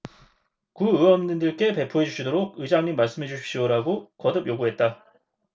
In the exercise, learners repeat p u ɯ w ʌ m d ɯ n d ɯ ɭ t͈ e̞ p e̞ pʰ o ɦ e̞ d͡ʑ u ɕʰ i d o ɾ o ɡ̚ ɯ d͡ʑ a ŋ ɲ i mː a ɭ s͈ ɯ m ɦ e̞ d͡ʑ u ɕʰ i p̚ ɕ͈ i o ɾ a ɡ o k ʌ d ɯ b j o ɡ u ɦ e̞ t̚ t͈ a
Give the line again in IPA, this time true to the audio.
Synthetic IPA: k u ɯ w ʌ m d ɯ n d ɯ ɭ k͈ e̞ p e̞ pʰ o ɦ e̞ d͡ʑ u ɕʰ i d o ɾ o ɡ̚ ɯ d͡ʑ a ŋ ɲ i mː a ɭ s͈ ɯ m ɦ e̞ d͡ʑ u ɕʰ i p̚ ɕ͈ i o ɾ a ɡ o k ʌ d ɯ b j o ɡ u ɦ e̞ t̚ t͈ a